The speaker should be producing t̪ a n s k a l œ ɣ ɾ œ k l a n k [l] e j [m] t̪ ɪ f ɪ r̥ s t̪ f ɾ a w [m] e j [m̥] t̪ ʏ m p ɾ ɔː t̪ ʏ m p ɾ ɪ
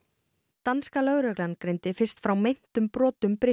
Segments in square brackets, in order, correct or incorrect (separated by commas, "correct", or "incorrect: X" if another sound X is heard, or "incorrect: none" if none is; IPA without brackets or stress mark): incorrect: ɾ, incorrect: n, correct, incorrect: n̥